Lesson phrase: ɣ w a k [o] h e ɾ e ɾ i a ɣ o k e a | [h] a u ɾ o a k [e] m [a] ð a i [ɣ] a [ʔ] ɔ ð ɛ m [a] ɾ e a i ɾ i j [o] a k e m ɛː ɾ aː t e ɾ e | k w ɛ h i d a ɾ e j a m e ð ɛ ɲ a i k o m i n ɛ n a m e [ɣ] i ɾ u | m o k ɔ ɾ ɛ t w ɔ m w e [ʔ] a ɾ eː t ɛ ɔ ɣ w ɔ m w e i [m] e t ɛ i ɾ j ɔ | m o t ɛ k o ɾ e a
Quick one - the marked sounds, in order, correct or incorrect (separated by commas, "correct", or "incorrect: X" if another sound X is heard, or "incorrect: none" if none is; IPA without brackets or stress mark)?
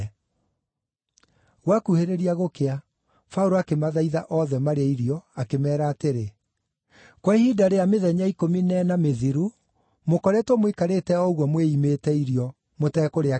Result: incorrect: u, incorrect: f, correct, correct, incorrect: ð, correct, correct, incorrect: ɔ, incorrect: ð, incorrect: k, correct